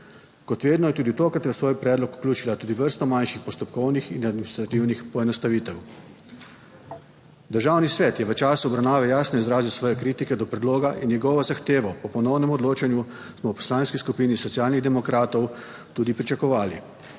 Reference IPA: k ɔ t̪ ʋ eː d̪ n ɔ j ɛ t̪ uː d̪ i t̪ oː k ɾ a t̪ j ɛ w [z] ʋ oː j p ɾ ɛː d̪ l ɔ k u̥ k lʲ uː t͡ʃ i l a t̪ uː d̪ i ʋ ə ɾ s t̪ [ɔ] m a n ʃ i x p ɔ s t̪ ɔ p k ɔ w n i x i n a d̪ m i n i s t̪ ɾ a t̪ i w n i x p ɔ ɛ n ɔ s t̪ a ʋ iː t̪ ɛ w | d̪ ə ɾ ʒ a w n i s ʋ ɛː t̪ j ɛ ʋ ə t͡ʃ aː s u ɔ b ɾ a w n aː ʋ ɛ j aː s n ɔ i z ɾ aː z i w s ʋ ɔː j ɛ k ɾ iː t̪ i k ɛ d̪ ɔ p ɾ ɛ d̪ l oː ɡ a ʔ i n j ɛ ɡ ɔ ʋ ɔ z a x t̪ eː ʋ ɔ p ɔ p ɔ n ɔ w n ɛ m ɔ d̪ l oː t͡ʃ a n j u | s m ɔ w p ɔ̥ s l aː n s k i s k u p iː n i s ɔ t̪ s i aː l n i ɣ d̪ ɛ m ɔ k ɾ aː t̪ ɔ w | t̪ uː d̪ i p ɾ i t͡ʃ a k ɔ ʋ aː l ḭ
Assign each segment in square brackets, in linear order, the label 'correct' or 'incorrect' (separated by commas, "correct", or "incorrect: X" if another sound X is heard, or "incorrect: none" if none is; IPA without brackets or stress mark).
incorrect: s, correct